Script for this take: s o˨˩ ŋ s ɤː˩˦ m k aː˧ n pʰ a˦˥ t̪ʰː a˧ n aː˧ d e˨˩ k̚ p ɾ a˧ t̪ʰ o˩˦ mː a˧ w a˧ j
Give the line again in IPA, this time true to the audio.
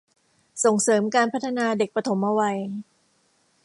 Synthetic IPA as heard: s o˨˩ ŋ s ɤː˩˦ m k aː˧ n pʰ a˦˥ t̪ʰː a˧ n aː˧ d e˨˩ k̚ p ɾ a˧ t̪ʰ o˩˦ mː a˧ w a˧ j